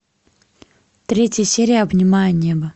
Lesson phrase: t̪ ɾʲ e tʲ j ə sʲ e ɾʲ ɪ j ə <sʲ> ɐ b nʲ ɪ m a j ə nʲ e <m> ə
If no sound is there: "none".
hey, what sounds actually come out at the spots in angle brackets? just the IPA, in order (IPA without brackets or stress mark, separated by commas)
none, b